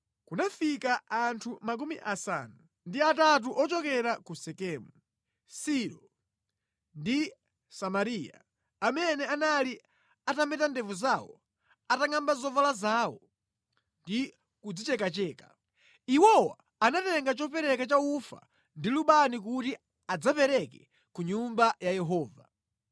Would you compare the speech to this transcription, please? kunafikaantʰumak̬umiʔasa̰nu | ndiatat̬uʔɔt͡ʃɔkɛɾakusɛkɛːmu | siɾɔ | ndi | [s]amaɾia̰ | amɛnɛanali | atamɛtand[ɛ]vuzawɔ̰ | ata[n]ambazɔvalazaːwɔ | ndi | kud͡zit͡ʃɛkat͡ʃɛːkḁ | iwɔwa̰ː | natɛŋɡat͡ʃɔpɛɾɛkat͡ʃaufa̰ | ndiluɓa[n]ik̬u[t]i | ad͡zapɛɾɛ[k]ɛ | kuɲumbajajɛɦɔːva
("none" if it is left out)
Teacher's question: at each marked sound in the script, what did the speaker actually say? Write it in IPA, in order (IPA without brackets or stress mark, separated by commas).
s, ɛ, ŋ, n, t, k